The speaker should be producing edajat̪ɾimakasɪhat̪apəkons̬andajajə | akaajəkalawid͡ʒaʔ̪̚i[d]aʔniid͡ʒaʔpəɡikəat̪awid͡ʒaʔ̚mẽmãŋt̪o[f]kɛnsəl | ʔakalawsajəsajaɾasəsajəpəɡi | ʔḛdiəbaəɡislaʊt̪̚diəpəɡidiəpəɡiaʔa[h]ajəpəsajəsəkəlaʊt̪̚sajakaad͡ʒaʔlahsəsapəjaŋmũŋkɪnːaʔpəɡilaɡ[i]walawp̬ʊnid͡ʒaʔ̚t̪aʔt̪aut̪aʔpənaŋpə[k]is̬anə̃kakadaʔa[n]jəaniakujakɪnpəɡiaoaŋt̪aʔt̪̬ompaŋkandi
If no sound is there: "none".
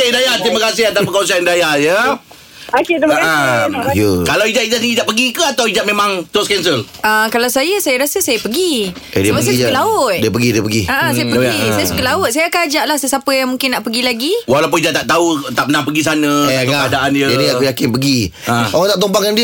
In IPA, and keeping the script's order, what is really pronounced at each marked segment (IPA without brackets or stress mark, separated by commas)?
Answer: d͡ʒ, s, s, i, ɡ, n